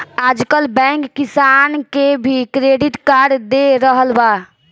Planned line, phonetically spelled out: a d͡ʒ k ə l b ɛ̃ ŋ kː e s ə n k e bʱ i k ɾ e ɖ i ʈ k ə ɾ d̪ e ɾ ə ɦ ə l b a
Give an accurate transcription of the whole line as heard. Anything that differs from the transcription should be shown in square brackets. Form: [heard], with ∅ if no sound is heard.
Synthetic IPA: a d͡ʒ k ə l b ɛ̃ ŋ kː [i] s [a] n k e bʱ i k ɾ e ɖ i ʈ k [a] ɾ d̪ e ɾ ə ɦ ə l b a